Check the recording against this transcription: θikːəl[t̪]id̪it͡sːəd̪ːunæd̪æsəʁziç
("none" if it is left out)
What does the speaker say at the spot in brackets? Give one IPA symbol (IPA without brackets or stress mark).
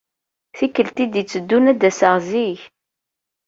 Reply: t̪